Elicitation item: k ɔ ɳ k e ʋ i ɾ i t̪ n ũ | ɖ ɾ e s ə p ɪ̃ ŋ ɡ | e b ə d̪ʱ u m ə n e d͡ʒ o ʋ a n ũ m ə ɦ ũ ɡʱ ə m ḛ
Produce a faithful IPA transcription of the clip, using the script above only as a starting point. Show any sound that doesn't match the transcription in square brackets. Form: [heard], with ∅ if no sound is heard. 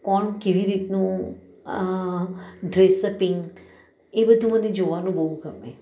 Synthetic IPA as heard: k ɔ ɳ k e ʋ i ɾ i t̪ n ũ | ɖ ɾ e s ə p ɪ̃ ŋ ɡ | e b ə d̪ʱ u m ə n e d͡ʒ o ʋ a n ũ [b] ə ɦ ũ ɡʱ ə m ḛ